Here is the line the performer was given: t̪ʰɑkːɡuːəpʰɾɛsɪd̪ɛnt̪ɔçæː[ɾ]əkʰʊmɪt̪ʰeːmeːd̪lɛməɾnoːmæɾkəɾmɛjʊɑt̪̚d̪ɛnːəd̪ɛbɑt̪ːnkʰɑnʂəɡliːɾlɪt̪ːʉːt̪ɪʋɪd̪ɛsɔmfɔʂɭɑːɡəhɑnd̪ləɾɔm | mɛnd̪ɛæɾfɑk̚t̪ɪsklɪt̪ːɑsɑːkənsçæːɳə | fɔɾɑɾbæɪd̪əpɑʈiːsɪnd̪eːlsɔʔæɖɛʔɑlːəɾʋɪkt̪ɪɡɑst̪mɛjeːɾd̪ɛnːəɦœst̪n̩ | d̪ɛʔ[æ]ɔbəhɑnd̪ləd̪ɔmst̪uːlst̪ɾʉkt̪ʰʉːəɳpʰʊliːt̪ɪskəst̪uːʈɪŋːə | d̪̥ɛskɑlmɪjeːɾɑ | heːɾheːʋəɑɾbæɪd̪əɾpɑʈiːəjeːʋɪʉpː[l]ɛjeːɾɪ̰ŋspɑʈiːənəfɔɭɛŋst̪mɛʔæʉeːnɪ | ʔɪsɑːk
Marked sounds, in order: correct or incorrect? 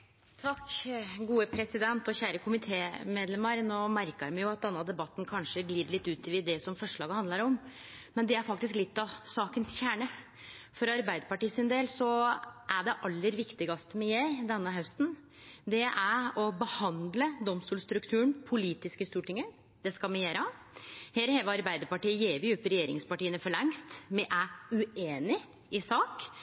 correct, correct, incorrect: ɾ

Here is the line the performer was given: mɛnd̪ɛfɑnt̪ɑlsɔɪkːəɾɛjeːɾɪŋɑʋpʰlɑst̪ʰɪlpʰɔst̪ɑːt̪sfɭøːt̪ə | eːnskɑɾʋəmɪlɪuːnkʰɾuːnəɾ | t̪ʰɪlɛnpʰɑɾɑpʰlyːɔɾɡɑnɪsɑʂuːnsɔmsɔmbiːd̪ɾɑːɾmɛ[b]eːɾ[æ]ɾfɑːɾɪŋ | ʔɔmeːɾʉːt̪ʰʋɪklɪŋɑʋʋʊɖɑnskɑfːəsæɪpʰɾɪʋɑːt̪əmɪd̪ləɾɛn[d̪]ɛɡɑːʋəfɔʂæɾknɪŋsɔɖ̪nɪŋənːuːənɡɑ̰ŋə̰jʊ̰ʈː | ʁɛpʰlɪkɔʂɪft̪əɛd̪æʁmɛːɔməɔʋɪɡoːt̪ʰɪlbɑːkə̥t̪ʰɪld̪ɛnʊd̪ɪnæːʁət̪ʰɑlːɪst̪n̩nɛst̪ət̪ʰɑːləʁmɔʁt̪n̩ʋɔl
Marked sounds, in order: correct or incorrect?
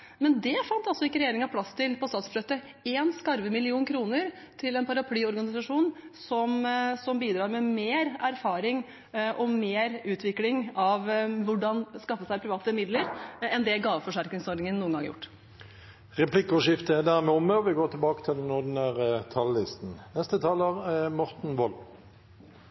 incorrect: m, correct, correct

